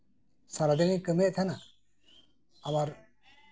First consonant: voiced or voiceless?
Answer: voiceless